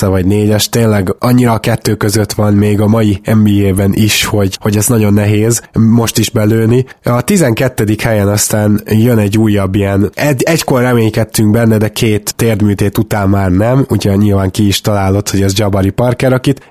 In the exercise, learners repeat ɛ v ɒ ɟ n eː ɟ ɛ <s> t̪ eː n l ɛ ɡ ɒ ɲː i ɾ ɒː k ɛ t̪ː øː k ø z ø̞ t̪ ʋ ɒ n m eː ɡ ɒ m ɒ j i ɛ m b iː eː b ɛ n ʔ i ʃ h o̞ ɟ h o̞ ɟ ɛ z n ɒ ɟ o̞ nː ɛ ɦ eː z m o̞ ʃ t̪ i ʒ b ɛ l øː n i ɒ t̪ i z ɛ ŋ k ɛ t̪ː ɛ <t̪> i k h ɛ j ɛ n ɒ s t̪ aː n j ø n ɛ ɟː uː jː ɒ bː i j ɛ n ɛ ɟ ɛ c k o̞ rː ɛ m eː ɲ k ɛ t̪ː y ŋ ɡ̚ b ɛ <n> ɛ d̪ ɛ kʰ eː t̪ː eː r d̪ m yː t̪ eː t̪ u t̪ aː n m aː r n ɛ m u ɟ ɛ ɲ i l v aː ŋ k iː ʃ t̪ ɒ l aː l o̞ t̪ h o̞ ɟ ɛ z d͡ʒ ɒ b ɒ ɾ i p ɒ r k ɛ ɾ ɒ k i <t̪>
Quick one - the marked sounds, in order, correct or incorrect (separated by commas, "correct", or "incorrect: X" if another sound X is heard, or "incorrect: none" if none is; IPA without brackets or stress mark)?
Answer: incorrect: ʃ, incorrect: d̪, incorrect: nː, correct